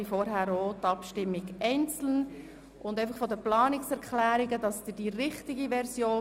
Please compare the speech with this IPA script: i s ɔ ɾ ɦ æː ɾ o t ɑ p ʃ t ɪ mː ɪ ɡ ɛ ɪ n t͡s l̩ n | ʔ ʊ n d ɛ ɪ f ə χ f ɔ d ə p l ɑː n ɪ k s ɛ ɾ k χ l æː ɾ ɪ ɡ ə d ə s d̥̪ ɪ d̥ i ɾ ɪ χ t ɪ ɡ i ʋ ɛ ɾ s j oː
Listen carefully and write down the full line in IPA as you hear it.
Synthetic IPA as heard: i f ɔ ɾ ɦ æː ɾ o t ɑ p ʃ t ɪ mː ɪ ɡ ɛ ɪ n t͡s l̩ n | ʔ ʊ n d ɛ ɪ f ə χ f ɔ d ə p l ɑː n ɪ k s ɛ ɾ k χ l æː ɾ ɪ ɡ ə d ɑ s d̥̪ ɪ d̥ i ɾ ɪ χ t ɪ ɡ i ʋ ɛ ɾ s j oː